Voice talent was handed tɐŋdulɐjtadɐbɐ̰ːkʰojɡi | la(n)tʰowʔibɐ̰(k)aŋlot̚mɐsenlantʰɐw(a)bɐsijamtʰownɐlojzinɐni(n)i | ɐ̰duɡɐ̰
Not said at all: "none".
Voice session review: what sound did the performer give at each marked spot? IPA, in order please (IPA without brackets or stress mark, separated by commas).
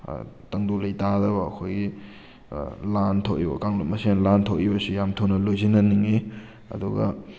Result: n, k, i, ŋ